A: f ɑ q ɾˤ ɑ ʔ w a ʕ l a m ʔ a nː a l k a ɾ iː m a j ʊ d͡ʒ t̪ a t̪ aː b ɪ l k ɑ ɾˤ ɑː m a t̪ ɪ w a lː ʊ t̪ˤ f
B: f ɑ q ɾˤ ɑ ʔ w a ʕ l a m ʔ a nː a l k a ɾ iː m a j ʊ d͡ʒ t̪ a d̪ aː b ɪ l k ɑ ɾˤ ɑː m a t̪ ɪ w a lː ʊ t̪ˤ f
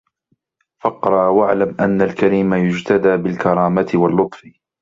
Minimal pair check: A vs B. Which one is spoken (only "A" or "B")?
B